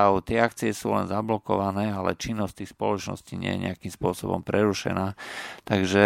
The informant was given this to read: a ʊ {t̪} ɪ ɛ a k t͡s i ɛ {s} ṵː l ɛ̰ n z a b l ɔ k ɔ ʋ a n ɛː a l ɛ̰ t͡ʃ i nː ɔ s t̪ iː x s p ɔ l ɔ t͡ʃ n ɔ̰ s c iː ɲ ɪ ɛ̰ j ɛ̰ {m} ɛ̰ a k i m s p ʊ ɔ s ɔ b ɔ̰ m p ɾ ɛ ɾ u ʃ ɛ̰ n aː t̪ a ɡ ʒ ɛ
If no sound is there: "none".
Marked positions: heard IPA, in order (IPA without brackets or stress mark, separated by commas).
t̪, s, ɲ